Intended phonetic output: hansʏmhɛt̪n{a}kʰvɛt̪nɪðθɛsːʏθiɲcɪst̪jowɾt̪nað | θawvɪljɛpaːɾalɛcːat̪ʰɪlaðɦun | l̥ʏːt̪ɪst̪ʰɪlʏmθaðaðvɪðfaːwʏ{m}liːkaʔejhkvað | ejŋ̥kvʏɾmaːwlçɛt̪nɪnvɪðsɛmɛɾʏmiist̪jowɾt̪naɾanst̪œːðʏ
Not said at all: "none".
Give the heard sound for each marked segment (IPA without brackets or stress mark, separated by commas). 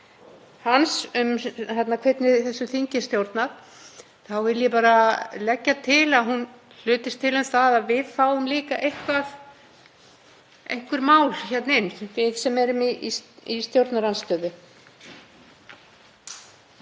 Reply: a, m